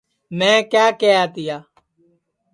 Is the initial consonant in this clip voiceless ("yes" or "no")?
no